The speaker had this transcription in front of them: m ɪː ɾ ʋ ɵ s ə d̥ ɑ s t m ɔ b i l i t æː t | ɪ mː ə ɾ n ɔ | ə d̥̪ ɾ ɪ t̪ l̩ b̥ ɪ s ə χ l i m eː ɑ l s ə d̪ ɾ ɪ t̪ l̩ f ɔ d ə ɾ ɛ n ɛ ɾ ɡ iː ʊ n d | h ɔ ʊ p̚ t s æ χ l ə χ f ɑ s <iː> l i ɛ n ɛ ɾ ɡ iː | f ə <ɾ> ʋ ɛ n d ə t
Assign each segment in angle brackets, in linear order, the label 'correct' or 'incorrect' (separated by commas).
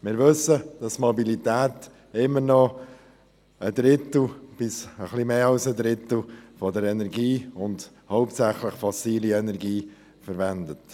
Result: correct, correct